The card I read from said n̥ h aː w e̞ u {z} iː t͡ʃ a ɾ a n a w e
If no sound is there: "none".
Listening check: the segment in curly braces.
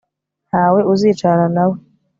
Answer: z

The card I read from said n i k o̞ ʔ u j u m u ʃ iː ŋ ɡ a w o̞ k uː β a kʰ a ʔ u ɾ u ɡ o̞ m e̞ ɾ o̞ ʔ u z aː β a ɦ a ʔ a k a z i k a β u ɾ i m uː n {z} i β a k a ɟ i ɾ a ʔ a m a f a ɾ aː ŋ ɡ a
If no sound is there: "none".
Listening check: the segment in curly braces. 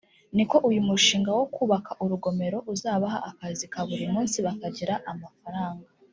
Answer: s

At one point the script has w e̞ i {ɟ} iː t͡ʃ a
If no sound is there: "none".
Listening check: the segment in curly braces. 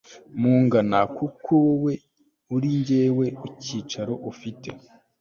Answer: c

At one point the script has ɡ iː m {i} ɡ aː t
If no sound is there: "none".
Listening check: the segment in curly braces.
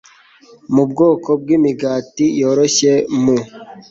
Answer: i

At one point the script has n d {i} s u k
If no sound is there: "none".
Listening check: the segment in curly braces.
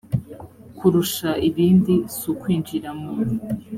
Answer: i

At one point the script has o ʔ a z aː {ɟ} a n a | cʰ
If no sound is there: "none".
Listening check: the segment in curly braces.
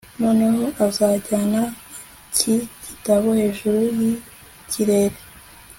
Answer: ɟ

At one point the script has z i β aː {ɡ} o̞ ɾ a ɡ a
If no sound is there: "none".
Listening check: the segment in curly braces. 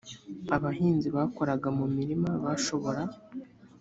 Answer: k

